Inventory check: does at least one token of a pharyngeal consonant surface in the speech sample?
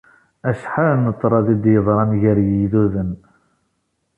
yes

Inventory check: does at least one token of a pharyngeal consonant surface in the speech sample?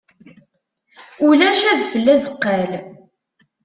no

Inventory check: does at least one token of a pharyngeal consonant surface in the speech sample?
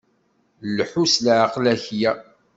yes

